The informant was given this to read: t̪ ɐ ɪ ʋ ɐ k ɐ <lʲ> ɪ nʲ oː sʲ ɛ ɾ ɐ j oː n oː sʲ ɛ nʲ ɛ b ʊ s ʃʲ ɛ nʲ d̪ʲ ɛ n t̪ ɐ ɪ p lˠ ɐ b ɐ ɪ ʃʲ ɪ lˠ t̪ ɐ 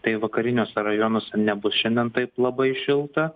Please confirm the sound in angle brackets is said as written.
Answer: no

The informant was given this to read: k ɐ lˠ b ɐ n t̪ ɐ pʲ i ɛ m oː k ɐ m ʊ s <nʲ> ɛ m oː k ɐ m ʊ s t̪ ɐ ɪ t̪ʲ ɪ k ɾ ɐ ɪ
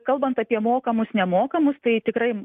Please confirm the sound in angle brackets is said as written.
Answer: yes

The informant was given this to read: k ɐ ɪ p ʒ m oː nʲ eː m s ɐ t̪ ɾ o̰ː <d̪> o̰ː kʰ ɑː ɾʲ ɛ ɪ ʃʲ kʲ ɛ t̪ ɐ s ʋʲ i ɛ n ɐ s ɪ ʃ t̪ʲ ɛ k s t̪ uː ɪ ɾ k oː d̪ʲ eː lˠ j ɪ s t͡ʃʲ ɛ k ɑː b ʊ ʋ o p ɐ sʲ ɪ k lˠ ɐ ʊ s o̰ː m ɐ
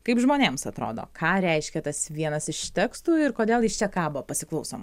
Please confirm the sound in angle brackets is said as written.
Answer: yes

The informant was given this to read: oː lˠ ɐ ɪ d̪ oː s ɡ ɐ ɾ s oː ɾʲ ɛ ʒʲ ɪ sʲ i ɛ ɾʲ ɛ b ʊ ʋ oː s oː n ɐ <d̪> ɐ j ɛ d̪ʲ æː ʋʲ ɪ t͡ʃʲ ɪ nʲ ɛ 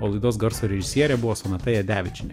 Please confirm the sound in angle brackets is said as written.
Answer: no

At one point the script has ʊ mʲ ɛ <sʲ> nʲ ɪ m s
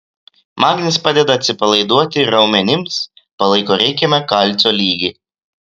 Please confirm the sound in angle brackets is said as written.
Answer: no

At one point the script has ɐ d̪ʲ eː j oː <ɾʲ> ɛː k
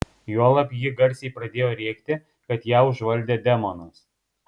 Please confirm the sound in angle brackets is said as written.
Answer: yes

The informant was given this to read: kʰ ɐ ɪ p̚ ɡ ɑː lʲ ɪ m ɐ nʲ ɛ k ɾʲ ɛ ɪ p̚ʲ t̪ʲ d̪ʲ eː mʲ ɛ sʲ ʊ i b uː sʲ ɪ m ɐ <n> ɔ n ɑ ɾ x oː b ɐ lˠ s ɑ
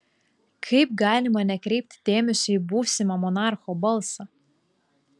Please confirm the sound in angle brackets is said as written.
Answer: no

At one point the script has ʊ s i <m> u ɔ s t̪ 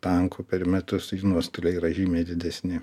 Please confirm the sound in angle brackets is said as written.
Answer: no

